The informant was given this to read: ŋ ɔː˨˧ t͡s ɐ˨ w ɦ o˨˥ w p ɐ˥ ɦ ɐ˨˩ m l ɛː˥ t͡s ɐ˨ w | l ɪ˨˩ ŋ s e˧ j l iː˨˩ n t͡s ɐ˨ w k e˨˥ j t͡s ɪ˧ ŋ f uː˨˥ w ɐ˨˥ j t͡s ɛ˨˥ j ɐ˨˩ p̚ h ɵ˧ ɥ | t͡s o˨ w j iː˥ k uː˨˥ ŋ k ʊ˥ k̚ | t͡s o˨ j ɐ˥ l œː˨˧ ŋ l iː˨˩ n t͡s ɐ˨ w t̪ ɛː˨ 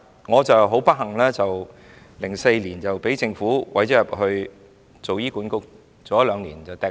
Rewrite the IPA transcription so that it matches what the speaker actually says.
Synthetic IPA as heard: ŋ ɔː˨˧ t͡s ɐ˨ w ɦ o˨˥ w p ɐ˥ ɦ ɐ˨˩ ŋ l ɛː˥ t͡s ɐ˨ w | l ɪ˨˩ ŋ s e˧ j l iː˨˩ n t͡s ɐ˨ w p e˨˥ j t͡s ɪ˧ ŋ f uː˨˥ w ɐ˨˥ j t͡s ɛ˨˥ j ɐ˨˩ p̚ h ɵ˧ ɥ | t͡s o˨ w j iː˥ k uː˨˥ n k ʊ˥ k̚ | t͡s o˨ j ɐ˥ l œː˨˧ ŋ l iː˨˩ n t͡s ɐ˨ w t̪ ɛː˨